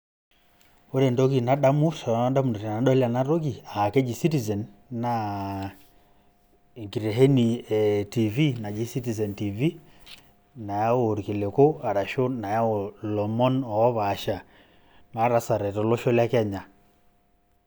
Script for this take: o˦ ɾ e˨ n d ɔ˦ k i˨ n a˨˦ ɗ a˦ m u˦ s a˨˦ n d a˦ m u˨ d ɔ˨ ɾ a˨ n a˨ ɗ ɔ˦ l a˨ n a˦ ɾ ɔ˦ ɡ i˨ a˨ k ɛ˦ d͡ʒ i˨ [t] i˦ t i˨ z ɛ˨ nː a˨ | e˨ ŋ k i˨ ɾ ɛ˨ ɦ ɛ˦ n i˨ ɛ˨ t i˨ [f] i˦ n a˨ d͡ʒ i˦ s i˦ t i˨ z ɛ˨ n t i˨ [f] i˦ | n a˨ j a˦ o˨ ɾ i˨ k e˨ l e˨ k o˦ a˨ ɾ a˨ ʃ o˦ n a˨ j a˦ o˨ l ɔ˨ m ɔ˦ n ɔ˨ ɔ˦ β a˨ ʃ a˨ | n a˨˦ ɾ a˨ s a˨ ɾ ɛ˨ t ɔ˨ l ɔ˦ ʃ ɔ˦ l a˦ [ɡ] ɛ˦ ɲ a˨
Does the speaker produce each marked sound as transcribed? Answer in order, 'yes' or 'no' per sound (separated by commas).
no, no, no, no